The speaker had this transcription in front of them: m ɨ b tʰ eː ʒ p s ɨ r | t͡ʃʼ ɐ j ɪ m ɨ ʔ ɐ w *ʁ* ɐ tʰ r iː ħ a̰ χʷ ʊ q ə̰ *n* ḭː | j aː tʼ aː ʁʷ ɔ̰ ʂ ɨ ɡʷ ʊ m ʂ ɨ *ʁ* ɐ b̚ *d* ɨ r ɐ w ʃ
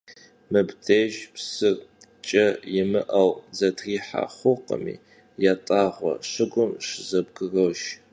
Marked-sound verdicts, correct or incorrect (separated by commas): incorrect, incorrect, incorrect, incorrect